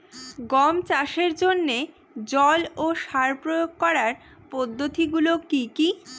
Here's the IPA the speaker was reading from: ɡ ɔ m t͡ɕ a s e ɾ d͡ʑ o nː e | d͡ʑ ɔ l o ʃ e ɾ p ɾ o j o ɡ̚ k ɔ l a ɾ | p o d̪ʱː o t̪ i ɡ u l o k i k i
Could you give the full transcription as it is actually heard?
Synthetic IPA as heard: ɡ ɔ m t͡ɕ a ʃ e ɾ d͡ʑ o nː e | d͡ʑ ɔ l o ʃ a ɾ p ɾ o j o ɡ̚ k ɔ ɾ a ɾ | p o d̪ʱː o t̪ i ɡ u l o k i k i